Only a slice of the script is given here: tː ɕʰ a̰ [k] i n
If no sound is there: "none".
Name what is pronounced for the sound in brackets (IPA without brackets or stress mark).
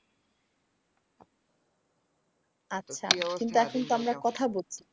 k